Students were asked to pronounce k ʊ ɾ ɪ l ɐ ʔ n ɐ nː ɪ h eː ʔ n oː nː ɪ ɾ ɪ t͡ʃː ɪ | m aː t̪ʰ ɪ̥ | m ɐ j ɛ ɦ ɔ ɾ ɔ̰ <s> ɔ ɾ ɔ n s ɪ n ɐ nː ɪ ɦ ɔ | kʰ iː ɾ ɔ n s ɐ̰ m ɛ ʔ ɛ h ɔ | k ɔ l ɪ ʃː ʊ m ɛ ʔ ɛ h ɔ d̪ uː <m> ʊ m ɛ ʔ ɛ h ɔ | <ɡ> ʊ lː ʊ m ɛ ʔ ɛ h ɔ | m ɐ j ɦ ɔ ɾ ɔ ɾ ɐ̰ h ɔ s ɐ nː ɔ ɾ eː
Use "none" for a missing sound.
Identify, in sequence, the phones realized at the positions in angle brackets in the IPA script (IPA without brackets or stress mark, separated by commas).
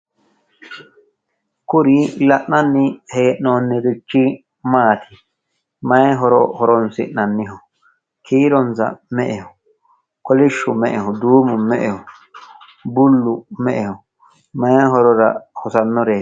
h, m, b